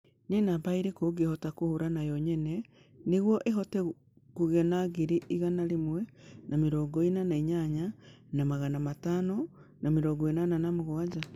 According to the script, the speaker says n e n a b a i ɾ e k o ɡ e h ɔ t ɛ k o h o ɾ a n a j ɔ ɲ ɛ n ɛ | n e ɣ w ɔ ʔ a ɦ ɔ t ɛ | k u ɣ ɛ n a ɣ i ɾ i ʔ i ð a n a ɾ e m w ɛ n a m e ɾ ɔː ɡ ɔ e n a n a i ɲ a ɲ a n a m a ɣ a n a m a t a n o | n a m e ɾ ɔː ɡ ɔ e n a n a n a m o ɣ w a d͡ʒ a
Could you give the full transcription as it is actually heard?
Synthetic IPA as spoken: n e n a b a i ɾ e k o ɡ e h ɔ t a k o h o ɾ a n a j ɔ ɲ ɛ n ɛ | n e ɣ w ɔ ʔ e ɦ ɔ t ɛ | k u ɣ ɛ n a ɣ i ɾ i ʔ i ɣ a n a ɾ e m w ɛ n a m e ɾ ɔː ɡ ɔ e n a n a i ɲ a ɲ a n a m a ɣ a n a m a t a n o | n a m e ɾ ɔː ɡ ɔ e n a n a n a m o ɣ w a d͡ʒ a